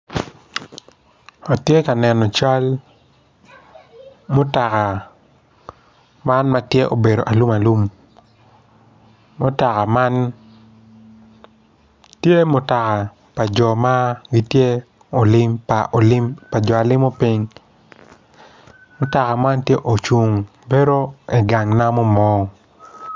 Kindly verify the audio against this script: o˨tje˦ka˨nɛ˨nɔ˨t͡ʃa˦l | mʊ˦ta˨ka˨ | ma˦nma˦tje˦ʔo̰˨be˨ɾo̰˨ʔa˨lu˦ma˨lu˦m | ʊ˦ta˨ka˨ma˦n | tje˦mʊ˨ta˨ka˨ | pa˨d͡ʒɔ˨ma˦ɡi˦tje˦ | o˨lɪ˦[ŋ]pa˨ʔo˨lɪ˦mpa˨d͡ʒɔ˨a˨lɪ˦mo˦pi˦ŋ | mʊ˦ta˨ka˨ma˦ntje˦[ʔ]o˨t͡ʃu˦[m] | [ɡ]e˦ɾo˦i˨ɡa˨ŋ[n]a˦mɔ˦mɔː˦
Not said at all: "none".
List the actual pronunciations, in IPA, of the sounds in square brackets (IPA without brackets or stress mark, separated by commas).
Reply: m, ʔ, ŋ, b, n